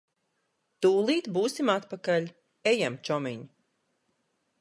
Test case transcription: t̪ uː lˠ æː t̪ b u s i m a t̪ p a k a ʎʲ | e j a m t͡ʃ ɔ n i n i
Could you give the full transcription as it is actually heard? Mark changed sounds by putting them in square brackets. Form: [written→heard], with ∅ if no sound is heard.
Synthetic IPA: t̪ uː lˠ [æː→iː] t̪ b [u→uː] s i m a t̪ p a k a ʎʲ | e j a m t͡ʃ ɔ [n→m] i [n→ɲ] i

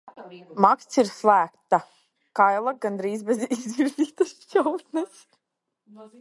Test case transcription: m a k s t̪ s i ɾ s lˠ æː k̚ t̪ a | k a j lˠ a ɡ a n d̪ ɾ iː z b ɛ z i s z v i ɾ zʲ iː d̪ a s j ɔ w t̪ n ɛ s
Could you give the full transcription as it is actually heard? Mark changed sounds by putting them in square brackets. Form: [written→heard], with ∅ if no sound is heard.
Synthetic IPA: m a k s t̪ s i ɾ s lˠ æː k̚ t̪ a | k a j lˠ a ɡ a n d̪ ɾ iː z b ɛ z i [s→∅] z v i ɾ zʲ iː [d̪→t̪] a s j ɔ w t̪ n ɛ s

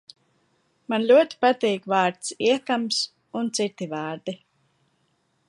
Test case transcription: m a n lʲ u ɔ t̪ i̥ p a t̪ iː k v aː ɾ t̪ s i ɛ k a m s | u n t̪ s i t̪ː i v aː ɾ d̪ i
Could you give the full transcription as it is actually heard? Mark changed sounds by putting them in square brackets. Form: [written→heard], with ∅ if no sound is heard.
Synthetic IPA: m a n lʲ u ɔ t̪ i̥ p a t̪ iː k v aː ɾ t̪ s i ɛ k a m s | u n t̪ s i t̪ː i v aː ɾ d̪ i

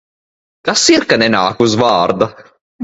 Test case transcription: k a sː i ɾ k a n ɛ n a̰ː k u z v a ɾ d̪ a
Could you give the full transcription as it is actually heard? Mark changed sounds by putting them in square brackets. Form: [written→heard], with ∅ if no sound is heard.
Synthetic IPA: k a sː i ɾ k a n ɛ n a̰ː k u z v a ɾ d̪ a

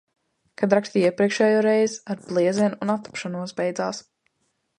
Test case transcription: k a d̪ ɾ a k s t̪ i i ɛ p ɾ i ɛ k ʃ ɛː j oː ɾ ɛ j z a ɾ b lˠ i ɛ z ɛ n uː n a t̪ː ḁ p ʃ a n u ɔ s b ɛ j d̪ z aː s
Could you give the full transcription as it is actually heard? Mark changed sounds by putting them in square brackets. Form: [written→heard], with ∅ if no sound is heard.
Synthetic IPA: k a d̪ ɾ a k s t̪ i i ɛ p ɾ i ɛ k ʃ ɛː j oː ɾ ɛ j z a ɾ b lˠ i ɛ z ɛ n [uː→u] n a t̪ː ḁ p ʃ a n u ɔ s b ɛ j d̪ z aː s

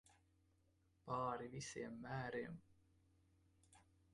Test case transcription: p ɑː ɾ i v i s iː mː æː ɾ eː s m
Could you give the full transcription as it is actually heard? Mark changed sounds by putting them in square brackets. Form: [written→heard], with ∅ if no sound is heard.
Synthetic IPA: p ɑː ɾ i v i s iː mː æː ɾ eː [s→∅] m

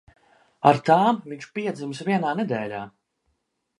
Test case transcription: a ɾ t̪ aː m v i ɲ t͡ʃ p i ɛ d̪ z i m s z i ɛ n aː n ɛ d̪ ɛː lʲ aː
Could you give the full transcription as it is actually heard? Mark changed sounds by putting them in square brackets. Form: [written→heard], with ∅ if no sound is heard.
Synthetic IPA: a ɾ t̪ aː m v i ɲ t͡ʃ p i ɛ d̪ z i m s [z→v] i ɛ n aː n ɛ d̪ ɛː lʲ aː

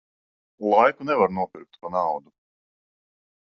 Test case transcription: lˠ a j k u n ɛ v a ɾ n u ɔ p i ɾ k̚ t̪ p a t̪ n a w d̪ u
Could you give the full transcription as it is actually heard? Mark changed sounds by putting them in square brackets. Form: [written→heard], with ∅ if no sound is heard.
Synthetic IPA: lˠ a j k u n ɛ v a ɾ n u ɔ p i ɾ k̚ t̪ p a [t̪→∅] n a w d̪ u

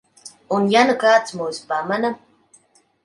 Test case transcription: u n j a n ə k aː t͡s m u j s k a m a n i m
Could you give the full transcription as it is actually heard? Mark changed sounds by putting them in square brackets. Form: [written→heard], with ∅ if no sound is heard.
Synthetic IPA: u n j a n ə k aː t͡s m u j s [k→p] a m a n [i→a] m

